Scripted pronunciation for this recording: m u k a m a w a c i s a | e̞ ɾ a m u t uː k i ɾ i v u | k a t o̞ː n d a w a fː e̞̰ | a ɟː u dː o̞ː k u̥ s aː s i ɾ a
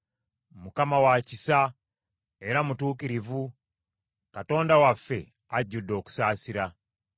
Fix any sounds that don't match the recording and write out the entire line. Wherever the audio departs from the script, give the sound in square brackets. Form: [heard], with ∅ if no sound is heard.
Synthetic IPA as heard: m u k a m a w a c i s a | e̞ ɾ a m u t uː k i ɾ i v u | k a t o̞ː n d a w a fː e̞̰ | a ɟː u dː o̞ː k u̥ s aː s i ɾ a